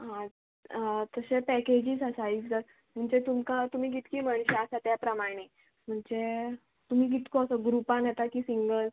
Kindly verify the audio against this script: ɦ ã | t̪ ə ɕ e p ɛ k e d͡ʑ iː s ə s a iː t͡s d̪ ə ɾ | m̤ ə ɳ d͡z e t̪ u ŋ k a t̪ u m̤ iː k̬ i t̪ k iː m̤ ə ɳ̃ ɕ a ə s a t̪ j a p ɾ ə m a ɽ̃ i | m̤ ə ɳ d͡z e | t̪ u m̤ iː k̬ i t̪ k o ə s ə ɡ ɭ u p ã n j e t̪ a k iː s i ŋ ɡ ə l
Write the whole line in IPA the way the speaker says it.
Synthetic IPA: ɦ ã | t̪ ə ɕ e p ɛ k e d͡ʑ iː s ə s a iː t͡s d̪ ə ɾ | m̤ ə ɳ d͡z e t̪ u m k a t̪ u m̤ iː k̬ i t̪ k iː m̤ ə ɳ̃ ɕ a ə s a t̪ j a p ɾ ə m a ɽ̃ e | m̤ ə ɳ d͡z e | t̪ u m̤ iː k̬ i t̪ k o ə s ə ɡ ɾ u p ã n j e t̪ a k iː s i ŋ ɡ ə l